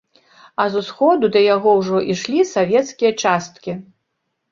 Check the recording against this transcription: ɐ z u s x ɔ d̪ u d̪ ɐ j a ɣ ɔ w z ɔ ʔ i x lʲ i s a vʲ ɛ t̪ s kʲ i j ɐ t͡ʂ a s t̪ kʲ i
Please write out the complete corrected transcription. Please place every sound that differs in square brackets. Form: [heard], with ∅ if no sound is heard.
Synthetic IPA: ɐ z u s x ɔ d̪ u d̪ ɐ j a ɣ ɔ w [ʐ] ɔ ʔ i [ʂ] lʲ i s a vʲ ɛ t̪ s kʲ i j ɐ t͡ʂ a s t̪ kʲ i